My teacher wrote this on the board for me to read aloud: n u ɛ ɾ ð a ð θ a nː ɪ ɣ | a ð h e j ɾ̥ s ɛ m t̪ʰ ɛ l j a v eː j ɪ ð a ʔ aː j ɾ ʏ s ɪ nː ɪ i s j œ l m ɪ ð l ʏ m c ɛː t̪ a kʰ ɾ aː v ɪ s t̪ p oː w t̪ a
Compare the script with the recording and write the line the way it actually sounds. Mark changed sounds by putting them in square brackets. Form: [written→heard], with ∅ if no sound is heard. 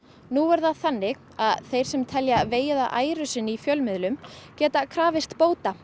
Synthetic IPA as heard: n u ɛ ɾ ð a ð θ a nː ɪ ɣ | a ð [h→θ] e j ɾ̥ s ɛ m t̪ʰ ɛ l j a v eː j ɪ ð a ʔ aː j ɾ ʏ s ɪ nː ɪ i [s→f] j œ l m ɪ ð l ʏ m c ɛː t̪ a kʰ ɾ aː v ɪ s t̪ p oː w t̪ a

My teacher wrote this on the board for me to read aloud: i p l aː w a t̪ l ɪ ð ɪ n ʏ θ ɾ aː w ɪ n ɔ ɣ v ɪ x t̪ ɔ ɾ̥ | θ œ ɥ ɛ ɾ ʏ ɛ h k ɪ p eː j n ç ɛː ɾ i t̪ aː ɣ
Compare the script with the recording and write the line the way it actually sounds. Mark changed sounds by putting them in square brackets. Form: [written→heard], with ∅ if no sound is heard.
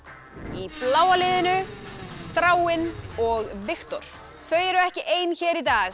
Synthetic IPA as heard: i p l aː w a [t̪→∅] l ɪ ð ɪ n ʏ θ ɾ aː w ɪ n ɔ ɣ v ɪ x t̪ ɔ ɾ̥ | θ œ ɥ ɛ ɾ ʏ ɛ h [k→c] ɪ [p→ʔ] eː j n ç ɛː ɾ i t̪ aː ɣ

